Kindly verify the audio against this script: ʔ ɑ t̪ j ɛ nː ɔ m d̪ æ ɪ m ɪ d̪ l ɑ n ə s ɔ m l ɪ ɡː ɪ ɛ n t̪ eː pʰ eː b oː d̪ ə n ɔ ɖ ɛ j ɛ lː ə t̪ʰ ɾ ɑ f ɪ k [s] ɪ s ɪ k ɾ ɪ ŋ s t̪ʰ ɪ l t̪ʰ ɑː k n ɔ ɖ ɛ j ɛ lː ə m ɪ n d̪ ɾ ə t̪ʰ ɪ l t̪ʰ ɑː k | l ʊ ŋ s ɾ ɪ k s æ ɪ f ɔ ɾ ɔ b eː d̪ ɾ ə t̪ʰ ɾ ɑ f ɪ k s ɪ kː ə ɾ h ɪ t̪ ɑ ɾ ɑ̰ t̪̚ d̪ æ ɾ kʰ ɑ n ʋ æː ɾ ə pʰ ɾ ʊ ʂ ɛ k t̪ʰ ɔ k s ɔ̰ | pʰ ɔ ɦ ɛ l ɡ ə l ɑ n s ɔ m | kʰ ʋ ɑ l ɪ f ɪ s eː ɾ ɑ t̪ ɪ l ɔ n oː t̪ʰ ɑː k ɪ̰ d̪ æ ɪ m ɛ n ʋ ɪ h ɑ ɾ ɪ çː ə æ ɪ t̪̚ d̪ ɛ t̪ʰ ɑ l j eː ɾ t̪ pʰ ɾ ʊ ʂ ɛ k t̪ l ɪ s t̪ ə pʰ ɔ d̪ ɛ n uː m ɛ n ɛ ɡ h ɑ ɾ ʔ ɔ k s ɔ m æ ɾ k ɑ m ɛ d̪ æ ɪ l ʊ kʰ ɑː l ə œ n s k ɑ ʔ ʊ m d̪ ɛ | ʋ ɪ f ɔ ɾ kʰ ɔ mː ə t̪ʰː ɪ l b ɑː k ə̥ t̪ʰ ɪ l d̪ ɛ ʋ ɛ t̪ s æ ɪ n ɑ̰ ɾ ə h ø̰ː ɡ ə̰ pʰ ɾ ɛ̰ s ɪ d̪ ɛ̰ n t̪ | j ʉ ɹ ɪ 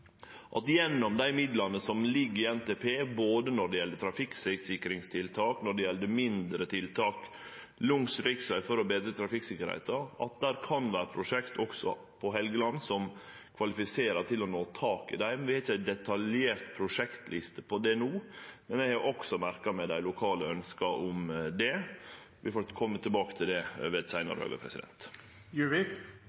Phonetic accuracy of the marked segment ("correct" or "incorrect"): correct